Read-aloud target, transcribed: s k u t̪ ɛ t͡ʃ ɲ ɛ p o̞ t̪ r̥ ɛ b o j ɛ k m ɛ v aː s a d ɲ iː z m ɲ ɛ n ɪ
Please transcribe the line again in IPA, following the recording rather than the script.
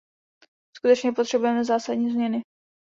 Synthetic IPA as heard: s k u t̪ ɛ t͡ʃ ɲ ɛ p o̞ t̪ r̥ ɛ b u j ɛ m ɛ z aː s a d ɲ iː z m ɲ ɛ n ɪ